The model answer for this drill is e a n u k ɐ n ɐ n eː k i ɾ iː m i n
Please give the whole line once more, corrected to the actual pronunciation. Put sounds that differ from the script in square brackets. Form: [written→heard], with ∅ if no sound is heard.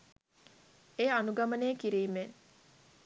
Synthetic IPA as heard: e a n u [k→ɡ] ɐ [n→m] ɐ n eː k i ɾ iː m [i→e] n

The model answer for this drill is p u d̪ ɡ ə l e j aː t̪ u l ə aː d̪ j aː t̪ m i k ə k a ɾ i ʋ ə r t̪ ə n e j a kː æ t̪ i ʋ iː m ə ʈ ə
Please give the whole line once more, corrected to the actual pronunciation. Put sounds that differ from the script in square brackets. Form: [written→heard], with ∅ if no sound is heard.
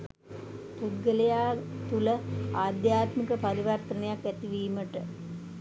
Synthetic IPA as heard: p u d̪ ɡ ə l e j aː t̪ u l ə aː d̪ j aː t̪ m i k ə [k→p] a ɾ i ʋ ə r t̪ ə n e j a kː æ t̪ i ʋ iː m ə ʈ ə

